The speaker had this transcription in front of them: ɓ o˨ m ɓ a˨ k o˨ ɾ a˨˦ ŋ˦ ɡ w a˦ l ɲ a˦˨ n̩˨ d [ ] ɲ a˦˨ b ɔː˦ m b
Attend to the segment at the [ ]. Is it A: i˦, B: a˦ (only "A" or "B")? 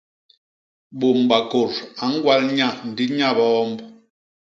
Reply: A